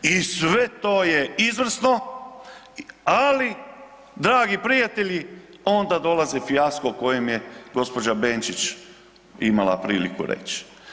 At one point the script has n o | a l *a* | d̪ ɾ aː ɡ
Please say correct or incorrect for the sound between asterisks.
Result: incorrect